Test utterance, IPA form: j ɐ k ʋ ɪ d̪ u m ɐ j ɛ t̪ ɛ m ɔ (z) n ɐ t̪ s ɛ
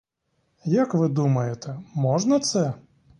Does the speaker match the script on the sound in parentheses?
no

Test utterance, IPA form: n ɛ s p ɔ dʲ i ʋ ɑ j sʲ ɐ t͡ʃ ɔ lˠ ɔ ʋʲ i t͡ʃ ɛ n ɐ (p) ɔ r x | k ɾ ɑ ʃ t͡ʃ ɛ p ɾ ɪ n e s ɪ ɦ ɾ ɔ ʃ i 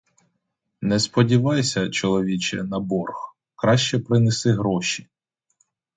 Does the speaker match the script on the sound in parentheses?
no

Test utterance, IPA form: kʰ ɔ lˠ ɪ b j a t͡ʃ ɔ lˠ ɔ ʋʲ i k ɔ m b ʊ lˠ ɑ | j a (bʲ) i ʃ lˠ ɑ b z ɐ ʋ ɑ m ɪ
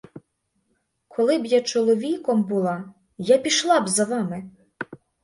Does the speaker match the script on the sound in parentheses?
no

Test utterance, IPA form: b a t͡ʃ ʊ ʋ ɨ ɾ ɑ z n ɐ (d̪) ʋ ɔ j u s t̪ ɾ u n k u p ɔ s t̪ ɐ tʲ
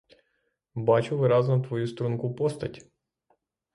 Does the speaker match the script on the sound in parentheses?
no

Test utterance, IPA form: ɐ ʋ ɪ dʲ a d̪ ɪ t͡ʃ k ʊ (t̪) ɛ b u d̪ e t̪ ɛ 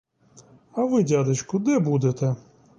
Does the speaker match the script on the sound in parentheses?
no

